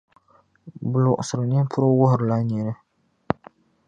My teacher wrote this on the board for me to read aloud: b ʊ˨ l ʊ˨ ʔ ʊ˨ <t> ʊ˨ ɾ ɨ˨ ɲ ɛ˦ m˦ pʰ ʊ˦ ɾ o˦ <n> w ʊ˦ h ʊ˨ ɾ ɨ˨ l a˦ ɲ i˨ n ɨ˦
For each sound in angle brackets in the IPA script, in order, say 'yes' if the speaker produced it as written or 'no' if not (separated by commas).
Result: no, no